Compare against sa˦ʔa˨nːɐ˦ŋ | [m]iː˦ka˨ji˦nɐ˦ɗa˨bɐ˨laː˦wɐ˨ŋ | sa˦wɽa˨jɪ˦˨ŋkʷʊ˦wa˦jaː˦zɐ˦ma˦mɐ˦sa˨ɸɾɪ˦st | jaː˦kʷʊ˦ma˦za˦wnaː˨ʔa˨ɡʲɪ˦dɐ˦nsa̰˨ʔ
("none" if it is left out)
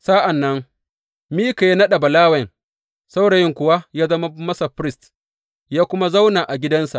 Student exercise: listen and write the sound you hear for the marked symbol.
m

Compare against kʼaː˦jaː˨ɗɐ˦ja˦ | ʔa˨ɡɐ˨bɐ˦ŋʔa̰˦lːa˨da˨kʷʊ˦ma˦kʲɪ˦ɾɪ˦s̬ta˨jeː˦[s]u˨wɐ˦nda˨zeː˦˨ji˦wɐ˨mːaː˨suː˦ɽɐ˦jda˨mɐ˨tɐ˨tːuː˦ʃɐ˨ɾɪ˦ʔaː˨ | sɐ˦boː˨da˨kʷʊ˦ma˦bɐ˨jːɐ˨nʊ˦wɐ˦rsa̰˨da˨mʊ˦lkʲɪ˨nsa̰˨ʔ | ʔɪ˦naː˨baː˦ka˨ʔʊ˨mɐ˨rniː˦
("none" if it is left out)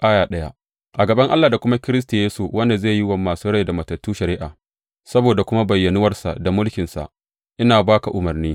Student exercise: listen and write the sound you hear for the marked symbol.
s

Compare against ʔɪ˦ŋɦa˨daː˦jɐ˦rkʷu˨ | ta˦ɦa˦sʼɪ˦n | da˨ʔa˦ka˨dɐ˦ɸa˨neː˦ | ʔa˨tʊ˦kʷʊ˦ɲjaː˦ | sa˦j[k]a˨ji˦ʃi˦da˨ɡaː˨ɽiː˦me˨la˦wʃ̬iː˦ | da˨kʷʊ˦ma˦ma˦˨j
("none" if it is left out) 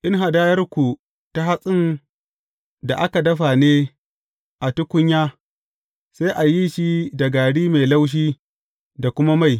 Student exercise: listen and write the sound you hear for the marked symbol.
ʔ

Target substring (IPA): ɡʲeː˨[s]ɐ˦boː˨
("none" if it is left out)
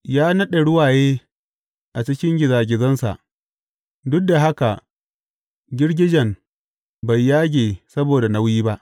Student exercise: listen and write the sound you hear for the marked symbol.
s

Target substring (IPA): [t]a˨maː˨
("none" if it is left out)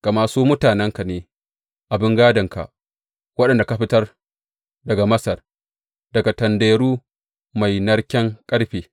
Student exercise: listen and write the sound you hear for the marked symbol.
k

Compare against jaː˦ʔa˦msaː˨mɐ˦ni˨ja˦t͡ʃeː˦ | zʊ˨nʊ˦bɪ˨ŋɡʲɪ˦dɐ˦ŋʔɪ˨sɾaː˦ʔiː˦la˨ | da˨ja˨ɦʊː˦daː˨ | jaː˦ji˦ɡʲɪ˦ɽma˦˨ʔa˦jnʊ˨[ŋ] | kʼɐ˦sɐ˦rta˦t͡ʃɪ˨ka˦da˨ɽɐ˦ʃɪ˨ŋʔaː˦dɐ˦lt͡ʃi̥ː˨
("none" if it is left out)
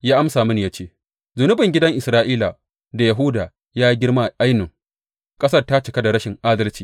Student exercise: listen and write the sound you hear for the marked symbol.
ŋ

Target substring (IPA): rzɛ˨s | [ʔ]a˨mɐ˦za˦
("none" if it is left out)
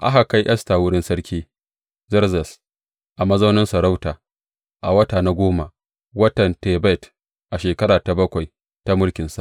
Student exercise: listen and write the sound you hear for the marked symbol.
ʔ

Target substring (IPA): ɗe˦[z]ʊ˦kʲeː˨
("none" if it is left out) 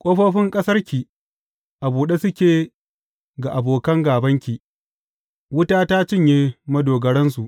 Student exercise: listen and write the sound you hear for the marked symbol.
s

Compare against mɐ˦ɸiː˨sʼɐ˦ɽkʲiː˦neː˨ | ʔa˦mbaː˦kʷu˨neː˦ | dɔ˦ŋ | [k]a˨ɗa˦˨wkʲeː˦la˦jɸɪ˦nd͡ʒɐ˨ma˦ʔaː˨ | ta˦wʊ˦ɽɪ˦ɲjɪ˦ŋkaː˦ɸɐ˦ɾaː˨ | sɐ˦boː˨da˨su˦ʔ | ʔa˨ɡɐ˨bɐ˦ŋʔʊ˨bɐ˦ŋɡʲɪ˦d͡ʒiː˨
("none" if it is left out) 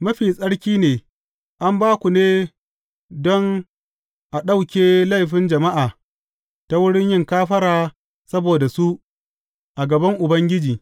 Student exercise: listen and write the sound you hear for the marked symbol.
ʔ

